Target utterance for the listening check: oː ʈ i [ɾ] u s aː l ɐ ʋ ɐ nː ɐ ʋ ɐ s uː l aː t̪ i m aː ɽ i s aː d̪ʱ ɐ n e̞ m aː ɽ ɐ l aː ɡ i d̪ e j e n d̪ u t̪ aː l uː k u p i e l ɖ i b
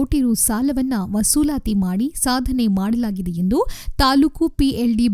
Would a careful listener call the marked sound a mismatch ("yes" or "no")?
no